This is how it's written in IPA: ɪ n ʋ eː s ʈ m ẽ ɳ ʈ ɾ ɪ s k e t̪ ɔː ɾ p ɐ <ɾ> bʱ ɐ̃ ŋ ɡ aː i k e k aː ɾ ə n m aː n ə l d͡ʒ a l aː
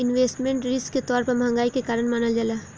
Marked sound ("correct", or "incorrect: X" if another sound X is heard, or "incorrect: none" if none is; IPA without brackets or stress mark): correct